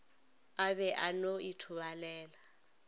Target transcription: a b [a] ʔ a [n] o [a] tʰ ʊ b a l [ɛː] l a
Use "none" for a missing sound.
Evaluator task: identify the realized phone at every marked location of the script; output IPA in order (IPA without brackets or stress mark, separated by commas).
ɛ, n, i, ɛː